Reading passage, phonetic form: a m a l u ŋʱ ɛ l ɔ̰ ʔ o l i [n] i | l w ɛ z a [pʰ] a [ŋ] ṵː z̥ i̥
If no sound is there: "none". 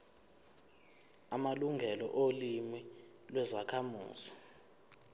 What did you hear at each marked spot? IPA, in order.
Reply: m, kʰ, m

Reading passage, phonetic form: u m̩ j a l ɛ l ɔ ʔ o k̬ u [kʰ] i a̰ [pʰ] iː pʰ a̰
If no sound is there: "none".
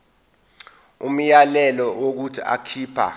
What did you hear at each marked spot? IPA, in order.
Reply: tʰ, kʰ

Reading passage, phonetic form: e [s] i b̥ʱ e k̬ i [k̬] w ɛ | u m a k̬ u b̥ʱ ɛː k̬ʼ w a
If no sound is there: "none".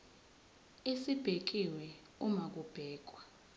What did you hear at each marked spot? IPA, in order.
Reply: s, none

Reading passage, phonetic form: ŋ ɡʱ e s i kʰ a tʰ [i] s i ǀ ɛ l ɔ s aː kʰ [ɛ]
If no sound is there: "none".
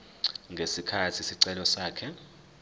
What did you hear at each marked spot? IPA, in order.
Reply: i, ɛ

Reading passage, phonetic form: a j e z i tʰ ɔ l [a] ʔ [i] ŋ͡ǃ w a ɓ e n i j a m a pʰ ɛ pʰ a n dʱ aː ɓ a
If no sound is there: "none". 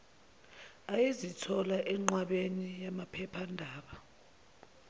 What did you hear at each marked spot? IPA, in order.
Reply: a, ɛ

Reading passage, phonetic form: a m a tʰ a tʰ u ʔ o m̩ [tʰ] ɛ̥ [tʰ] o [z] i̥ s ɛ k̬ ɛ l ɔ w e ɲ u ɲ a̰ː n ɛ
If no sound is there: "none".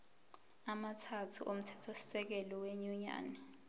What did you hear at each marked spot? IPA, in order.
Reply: tʰ, tʰ, s

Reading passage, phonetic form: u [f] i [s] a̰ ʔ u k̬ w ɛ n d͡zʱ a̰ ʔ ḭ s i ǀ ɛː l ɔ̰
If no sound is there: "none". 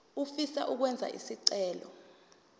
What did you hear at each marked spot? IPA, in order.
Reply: f, s

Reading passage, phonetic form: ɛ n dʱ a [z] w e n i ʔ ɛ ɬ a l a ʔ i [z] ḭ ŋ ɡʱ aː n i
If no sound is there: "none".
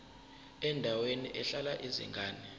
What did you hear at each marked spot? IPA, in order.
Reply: none, z

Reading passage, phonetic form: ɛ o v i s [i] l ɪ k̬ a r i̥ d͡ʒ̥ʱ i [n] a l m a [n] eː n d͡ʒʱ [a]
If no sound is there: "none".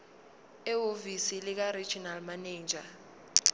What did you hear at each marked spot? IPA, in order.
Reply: i, n, n, a

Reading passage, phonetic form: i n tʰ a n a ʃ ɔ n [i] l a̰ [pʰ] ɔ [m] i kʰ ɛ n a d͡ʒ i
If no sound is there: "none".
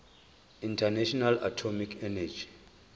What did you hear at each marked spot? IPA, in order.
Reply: a, tʰ, m

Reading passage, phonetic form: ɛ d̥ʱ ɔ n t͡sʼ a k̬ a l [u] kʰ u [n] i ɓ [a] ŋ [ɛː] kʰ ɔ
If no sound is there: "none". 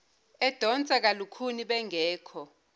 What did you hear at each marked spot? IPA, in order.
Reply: u, n, ɛ, ɛː

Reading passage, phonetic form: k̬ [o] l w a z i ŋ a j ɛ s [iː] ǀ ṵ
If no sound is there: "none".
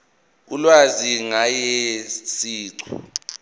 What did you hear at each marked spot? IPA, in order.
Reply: u, iː

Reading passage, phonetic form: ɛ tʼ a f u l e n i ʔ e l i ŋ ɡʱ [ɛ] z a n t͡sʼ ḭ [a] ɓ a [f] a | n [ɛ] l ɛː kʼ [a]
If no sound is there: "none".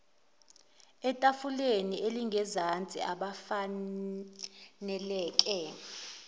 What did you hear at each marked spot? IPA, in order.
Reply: ɛ, a, f, ɛ, ɛ

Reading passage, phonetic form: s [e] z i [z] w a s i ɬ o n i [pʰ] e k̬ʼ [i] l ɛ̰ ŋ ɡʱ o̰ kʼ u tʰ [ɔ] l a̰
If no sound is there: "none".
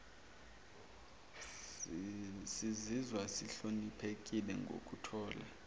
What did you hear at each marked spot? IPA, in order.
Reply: i, z, pʰ, i, ɔː

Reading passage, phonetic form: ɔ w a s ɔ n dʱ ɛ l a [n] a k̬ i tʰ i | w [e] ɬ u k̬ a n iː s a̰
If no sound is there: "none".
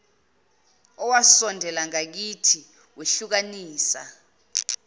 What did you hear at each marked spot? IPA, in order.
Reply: ŋ, e

